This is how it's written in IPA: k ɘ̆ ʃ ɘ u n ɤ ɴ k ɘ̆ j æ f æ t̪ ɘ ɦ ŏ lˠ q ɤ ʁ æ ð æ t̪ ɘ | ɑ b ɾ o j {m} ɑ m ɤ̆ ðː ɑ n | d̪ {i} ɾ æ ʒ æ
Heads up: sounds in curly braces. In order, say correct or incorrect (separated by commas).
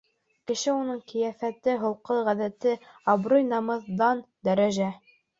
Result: incorrect, incorrect